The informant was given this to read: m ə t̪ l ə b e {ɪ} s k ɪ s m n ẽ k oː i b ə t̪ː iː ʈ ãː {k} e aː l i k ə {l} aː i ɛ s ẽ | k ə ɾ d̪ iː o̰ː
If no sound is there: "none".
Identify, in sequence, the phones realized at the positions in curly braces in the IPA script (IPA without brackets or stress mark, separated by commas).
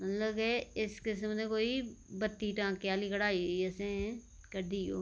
ɪ, k, ɽ